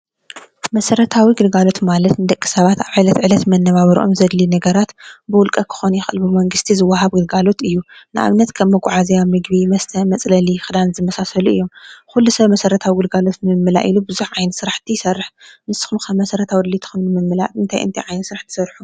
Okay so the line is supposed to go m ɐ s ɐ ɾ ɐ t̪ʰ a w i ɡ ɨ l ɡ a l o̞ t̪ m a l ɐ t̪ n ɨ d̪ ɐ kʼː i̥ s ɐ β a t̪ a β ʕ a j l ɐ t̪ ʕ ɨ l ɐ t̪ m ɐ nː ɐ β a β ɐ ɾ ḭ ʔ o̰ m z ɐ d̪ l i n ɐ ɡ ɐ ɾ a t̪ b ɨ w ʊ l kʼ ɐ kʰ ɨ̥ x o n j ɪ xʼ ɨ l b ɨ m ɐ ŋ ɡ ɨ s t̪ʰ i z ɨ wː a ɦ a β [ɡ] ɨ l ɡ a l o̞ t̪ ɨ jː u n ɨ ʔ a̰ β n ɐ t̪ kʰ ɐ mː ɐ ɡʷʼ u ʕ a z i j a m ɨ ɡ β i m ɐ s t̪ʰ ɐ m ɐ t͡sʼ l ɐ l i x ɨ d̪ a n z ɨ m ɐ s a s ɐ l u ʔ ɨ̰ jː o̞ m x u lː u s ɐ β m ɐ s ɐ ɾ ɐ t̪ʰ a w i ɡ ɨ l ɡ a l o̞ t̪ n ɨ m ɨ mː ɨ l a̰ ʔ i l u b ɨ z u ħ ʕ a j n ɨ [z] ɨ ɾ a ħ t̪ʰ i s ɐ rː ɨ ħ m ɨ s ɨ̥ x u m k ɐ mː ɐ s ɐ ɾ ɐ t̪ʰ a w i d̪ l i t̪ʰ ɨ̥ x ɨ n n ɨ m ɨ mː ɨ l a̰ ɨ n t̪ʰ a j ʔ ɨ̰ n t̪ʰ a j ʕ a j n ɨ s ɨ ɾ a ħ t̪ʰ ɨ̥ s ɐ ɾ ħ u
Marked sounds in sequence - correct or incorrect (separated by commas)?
correct, incorrect